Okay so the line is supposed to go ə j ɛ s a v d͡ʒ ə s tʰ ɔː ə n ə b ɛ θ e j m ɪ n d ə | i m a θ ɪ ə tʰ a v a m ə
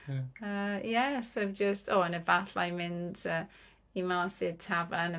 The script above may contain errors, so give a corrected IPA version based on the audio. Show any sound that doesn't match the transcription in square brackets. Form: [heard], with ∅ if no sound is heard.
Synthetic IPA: ə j ɛ s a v d͡ʒ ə s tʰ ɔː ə n ə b [a] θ [a] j m ɪ n d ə | i m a [s] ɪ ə tʰ a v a [n] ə